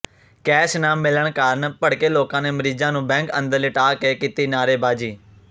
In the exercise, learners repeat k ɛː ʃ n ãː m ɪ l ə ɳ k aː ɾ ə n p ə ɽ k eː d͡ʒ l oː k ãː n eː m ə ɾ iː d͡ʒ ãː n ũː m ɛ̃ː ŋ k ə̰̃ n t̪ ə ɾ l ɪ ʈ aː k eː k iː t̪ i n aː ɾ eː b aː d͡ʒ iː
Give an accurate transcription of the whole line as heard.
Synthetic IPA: k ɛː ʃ n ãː m ɪ l ə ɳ k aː ɾ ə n p ə ɽ k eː l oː k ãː n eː m ə ɾ iː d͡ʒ ãː n ũː b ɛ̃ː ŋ k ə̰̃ n d̪ ə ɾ l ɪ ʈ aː k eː k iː t̪ iː n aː ɾ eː b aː d͡ʒ iː